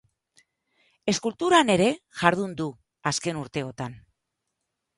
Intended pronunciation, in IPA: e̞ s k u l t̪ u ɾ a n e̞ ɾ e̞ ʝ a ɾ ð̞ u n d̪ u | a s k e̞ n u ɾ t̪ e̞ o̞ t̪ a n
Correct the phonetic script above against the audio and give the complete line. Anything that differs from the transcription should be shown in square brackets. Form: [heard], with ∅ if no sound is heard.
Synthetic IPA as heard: e̞ s k u l t̪ u ɾ a n e̞ ɾ e̞ ʝ a ɾ ð̞ u n d̪ u | a s k e̞ n u ɾ t̪ e̞ o̞ t̪ a n